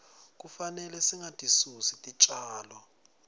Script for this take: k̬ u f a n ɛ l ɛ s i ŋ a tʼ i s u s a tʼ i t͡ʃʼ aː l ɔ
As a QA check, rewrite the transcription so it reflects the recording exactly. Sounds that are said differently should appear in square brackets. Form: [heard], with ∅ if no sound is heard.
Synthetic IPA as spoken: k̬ u f a n ɛ l ɛ s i ŋ a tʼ i s u s [i] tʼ i t͡ʃʼ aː l ɔ